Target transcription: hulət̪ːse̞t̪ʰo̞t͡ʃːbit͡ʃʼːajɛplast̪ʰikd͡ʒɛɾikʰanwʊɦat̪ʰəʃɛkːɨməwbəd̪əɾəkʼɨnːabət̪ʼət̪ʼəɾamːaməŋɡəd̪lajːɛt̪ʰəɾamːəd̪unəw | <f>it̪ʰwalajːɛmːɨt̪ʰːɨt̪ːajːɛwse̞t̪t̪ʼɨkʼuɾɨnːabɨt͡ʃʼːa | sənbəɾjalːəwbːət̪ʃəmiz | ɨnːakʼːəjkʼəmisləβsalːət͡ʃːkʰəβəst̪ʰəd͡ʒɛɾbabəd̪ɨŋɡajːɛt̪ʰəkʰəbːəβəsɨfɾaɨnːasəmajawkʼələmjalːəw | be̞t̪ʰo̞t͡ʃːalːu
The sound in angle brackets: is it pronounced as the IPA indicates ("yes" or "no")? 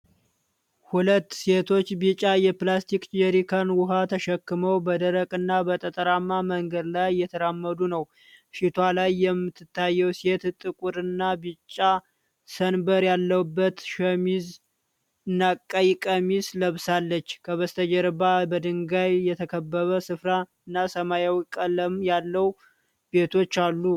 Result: no